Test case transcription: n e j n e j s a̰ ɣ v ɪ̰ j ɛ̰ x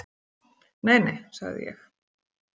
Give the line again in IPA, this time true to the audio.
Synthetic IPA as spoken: n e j n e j s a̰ ɣ ð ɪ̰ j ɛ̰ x